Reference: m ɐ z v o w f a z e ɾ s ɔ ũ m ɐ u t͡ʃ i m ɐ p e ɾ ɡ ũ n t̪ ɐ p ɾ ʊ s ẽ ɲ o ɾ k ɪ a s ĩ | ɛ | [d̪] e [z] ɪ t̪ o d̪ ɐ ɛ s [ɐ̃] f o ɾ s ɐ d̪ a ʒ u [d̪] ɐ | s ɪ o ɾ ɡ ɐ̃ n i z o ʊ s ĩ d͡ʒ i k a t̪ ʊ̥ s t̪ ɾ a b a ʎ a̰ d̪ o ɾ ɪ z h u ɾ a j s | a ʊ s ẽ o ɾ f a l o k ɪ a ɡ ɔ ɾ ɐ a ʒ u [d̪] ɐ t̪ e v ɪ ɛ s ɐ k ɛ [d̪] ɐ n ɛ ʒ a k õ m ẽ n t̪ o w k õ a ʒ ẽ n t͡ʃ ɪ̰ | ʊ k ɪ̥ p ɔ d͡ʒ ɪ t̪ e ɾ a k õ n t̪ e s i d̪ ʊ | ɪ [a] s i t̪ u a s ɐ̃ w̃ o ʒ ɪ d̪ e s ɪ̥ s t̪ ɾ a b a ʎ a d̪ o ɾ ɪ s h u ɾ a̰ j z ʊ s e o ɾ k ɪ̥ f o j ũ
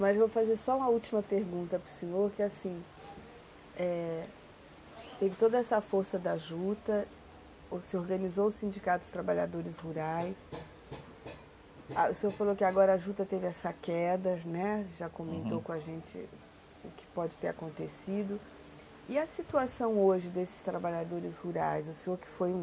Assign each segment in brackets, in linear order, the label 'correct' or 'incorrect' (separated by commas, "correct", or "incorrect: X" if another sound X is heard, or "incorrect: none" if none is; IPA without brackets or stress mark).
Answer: incorrect: t̪, incorrect: v, incorrect: ɐ, incorrect: t̪, incorrect: t̪, correct, incorrect: ɐ